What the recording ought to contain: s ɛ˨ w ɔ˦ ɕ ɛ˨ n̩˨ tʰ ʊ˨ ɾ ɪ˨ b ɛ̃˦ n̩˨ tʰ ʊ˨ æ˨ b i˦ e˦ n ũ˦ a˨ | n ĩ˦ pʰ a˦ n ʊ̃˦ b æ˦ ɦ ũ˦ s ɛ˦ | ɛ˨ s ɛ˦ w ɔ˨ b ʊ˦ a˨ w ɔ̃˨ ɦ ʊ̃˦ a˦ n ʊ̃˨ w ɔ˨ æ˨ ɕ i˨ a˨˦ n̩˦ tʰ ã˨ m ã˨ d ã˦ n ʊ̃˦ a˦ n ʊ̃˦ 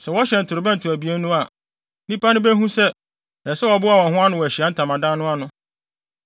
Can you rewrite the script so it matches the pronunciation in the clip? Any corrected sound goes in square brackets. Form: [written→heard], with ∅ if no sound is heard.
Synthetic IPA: s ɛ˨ w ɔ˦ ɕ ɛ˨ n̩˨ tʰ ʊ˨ ɾ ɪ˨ b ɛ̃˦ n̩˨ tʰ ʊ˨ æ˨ b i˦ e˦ n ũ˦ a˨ | n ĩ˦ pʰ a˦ n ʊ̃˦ b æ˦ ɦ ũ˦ s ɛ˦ | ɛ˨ s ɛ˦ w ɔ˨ b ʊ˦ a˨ w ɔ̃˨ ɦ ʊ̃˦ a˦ n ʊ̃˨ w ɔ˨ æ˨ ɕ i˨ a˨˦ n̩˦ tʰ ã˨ m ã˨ d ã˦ n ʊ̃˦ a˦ n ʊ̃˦